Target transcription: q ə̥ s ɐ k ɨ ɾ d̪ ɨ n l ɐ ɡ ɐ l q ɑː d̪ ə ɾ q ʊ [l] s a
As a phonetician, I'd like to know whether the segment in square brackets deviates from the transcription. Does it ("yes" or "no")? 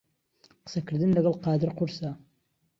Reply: yes